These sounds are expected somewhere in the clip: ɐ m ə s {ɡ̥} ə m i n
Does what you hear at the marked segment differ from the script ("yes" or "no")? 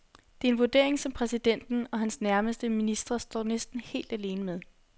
yes